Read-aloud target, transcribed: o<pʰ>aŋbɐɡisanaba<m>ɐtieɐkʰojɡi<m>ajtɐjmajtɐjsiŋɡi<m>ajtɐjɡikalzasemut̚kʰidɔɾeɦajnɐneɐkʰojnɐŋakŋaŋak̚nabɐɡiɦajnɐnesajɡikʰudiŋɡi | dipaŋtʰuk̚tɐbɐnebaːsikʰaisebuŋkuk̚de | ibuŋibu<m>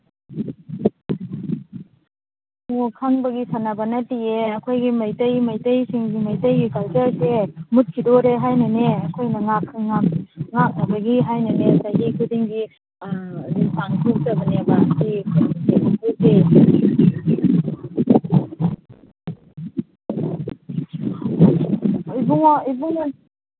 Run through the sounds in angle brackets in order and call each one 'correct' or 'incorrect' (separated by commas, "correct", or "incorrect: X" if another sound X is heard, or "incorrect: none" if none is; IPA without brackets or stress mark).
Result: incorrect: kʰ, incorrect: n, correct, correct, incorrect: ŋ